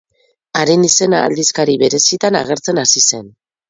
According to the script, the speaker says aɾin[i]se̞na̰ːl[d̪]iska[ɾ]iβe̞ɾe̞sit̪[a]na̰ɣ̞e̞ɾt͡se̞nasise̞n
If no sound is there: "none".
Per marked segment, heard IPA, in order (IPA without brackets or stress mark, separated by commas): i, d̪, ɾ, a